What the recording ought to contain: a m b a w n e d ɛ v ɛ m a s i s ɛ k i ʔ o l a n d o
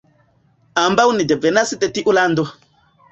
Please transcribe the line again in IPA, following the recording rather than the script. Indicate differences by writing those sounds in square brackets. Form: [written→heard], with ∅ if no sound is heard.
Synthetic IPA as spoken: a m b a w n [e→i] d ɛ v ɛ [m→n] a s i [s→t] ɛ [k→t] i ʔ [o→u] l a n d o